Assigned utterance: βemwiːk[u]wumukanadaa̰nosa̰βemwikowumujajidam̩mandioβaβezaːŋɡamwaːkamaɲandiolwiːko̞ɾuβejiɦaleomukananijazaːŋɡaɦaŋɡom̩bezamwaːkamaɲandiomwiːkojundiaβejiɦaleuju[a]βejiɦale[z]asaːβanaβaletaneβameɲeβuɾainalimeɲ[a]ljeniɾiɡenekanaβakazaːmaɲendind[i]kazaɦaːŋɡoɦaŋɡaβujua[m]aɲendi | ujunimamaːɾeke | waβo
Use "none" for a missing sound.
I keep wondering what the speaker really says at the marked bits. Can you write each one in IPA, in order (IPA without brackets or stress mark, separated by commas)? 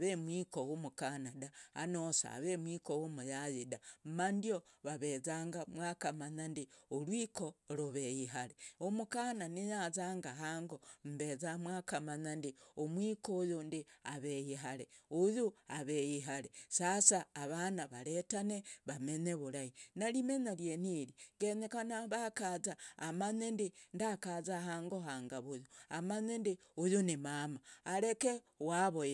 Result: o, a, s, a, a, m